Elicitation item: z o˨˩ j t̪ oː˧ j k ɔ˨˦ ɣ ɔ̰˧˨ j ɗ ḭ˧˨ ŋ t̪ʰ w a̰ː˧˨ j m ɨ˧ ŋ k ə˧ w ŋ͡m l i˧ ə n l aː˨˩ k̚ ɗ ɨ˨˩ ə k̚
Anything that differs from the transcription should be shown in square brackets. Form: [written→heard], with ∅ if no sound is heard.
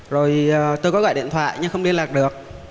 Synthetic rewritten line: z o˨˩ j t̪ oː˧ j k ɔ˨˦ ɣ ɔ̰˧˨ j ɗ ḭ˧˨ [ŋ→n] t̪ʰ w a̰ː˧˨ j [m→ɲ] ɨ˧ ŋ [k→x] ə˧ w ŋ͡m l i˧ ə n l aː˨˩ k̚ ɗ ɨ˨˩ ə k̚